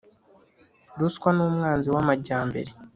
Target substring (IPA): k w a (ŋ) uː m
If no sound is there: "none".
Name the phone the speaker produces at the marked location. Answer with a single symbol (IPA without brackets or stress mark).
n